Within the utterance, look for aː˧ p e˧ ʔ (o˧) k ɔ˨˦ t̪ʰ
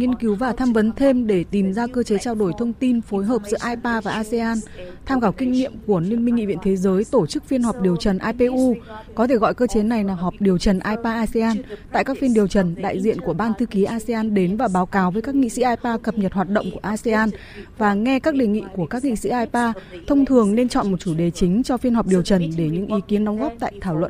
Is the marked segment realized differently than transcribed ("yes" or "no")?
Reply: yes